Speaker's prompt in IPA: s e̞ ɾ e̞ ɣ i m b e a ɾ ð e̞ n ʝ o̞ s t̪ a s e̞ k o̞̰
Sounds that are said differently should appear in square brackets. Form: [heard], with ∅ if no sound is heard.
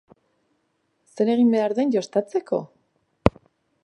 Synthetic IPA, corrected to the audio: s e̞ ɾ e̞ ɣ i m b e a ɾ ð e̞ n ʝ o̞ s t̪ a [t͡s] e̞ k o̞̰